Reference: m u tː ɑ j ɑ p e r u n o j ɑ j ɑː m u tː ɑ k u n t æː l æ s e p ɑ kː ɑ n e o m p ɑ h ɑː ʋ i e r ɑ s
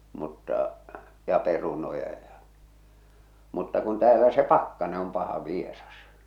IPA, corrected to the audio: m u tː ɑ j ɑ p e r u n o j ɑ j ɑ m u tː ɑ k u n t æː l æ s e p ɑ kː ɑ n e o m p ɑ h ɑ ʋ i e r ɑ s